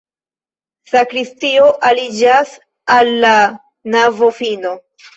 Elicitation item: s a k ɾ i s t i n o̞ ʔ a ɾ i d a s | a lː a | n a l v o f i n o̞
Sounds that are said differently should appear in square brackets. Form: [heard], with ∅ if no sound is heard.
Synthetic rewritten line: s a k ɾ i s t i [∅] o̞ ʔ a [l] i [d͡ʒ] a s | a lː a | n a [∅] v o f i n o̞

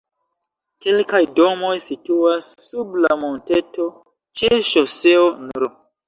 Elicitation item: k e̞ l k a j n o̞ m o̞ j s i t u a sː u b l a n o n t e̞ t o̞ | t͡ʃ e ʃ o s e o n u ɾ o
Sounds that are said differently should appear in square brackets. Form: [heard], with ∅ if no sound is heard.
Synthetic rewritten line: k e̞ l k a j [d] o̞ m o̞ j s i t u a sː u b l a [m] o n t e̞ t o̞ | t͡ʃ e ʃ o s e o n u ɾ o

